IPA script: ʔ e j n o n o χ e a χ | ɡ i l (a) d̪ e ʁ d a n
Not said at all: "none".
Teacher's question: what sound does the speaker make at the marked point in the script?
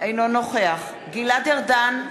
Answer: a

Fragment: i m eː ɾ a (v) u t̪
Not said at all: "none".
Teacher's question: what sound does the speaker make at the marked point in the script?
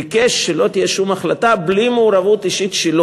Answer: v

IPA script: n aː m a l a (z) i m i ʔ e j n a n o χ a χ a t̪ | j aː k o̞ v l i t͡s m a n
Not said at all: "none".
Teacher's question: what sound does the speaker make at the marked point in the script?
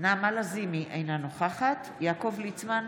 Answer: z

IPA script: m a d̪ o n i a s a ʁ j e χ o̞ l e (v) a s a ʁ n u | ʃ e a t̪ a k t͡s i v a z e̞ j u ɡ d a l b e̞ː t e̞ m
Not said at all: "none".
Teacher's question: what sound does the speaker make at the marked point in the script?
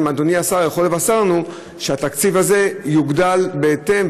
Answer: v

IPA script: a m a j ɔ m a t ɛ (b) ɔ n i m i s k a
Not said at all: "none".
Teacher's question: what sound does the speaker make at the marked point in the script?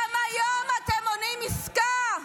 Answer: m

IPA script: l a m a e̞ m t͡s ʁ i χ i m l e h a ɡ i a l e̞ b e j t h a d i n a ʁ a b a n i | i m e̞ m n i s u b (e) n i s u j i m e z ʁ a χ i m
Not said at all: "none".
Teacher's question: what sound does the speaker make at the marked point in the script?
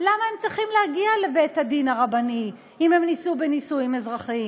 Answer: e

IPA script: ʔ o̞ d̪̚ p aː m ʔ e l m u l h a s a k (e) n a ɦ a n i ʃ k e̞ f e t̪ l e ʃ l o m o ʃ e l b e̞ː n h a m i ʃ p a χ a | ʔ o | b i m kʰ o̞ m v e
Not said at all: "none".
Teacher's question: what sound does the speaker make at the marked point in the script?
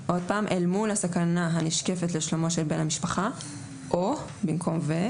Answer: a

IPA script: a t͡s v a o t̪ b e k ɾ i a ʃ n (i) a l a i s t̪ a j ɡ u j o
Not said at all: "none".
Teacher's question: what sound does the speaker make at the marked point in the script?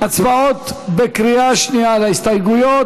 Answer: i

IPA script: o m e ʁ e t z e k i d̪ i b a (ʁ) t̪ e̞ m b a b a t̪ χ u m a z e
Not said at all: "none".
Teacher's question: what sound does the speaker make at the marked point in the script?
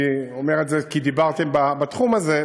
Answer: ʁ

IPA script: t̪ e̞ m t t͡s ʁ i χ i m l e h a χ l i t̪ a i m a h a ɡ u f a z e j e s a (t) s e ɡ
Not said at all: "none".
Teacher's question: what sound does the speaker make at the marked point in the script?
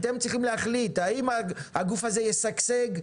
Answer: k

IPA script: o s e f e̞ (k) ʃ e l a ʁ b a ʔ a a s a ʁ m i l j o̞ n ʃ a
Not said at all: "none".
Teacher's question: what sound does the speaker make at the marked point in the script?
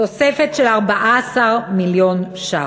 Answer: t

